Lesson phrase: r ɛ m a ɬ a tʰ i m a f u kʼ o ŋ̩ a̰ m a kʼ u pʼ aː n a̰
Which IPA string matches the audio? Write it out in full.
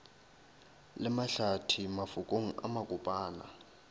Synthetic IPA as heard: l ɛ m a ɬ a tʰ i m a f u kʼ o ŋ̩ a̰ m a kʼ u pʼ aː n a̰